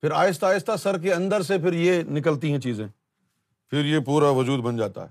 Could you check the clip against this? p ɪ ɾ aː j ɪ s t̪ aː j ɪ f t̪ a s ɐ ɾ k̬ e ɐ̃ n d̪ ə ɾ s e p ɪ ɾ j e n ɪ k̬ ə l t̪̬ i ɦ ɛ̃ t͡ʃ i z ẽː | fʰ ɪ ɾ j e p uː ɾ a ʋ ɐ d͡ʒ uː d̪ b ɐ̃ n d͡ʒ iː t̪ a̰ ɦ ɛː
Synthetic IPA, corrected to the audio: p ɪ ɾ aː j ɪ s t̪ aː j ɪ s t̪ a s ɐ ɾ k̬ e ɐ̃ n d̪ ə ɾ s e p ɪ ɾ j e n ɪ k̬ ə l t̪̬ i ɦ ɛ̃ t͡ʃ iː z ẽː | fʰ ɪ ɾ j e p uː ɾ a ʋ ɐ d͡ʒ uː d̪ b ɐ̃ n d͡ʒ aː t̪ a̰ ɦ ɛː